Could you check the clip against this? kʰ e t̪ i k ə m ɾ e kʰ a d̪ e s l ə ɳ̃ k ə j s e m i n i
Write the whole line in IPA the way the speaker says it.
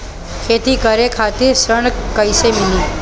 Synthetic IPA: kʰ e t̪ i k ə ɾ e kʰ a t̪ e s ɾ ə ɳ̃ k ə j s e m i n i